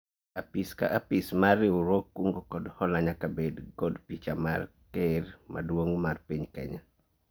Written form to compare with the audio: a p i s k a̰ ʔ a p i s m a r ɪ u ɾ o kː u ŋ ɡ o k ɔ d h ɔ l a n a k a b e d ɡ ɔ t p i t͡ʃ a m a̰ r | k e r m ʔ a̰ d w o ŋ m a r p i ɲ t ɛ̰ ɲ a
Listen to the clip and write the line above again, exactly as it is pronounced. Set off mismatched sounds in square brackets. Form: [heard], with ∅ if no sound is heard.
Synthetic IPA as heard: a p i s k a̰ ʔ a p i s m a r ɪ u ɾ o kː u ŋ ɡ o k ɔ d h ɔ l a [ɲ] a k a b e d ɡ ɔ [d] p i t͡ʃ a m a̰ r | k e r m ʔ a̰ d w o ŋ m a r p i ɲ [k] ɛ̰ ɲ a